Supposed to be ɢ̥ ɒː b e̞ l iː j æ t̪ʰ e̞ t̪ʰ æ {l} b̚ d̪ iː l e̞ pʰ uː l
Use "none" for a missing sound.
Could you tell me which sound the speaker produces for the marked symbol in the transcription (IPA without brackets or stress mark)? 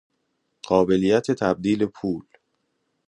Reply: none